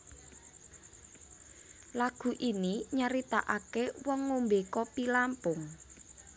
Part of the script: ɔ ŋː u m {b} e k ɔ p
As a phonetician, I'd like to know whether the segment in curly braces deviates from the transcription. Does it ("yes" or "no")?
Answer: no